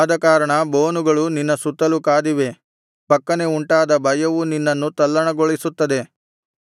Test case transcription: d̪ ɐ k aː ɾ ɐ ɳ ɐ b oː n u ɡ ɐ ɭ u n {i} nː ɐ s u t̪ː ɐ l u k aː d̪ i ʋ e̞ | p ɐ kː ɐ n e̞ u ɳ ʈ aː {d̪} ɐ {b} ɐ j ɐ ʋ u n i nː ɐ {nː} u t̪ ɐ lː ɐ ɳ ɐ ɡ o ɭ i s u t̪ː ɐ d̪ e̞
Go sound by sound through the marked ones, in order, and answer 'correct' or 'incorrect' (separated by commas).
correct, correct, correct, correct